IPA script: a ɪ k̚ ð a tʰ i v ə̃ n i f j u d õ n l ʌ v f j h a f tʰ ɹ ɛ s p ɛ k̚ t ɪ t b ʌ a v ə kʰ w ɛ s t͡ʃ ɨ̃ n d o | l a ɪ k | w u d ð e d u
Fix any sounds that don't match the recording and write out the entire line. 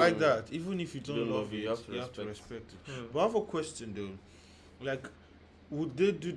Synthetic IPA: a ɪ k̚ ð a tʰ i v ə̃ n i f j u d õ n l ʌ v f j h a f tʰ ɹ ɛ s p ɛ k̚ t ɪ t b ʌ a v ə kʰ w ɛ s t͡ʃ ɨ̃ n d o | l a ɪ k | w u d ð e d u